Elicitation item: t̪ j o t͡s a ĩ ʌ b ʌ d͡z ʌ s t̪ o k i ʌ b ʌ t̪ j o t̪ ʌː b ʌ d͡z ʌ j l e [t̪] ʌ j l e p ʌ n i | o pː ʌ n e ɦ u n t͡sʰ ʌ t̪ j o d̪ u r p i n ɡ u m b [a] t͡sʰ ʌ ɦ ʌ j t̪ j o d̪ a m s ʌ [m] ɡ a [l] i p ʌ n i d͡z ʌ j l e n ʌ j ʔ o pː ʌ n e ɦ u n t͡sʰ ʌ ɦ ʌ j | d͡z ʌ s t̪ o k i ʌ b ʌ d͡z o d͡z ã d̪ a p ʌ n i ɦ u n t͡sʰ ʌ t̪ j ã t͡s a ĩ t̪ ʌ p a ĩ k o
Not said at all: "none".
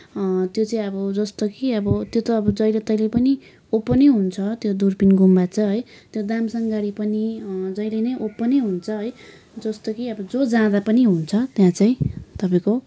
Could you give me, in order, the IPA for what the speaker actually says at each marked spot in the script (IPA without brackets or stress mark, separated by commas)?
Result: t̪, a, ŋ, ɽ